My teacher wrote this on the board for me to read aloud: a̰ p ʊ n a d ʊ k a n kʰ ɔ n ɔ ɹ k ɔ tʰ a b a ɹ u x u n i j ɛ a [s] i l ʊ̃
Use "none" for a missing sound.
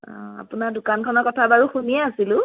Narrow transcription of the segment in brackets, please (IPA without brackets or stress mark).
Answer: s